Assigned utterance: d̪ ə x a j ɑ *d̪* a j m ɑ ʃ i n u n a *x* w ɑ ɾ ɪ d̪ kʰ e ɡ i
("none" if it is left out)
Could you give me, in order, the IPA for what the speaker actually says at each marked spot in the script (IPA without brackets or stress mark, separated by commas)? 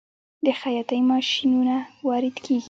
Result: t̪, none